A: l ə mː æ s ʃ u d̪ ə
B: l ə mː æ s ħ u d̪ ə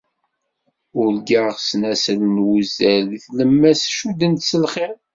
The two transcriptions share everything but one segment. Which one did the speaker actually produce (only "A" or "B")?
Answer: A